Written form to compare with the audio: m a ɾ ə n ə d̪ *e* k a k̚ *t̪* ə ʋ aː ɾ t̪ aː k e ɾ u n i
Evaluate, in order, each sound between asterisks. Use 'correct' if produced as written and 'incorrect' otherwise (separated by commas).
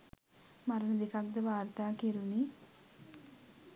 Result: correct, incorrect